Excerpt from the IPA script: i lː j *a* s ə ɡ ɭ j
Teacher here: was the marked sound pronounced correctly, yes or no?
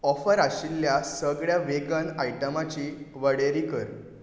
yes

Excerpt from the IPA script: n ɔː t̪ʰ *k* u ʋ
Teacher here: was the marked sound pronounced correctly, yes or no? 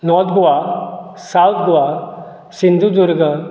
no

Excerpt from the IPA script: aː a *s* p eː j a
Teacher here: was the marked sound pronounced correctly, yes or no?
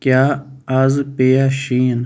no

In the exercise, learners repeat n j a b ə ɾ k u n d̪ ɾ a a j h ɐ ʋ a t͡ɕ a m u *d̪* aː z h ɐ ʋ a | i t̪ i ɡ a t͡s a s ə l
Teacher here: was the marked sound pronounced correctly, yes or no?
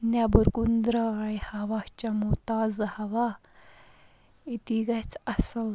no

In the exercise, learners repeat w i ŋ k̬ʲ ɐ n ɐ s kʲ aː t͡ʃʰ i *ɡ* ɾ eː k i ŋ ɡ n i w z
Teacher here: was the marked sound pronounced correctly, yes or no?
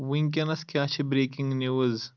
no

